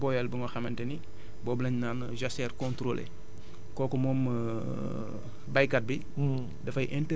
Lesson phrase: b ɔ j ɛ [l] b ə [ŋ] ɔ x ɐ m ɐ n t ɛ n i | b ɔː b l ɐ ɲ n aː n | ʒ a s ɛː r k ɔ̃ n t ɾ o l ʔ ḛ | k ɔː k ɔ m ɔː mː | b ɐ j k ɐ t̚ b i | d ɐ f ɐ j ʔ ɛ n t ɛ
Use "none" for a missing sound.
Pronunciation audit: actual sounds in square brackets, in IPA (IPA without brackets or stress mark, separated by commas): l, ŋ